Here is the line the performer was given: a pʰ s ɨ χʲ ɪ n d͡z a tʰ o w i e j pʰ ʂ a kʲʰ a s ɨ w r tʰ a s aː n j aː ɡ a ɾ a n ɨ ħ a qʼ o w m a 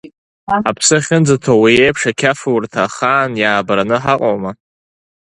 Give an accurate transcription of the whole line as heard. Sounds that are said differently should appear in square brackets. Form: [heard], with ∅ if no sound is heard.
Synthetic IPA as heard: a pʰ s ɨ χʲ ɪ n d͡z a tʰ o w i e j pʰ ʂ a kʲʰ a [f] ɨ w r tʰ a [χ] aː n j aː [b] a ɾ a n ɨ ħ a qʼ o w m a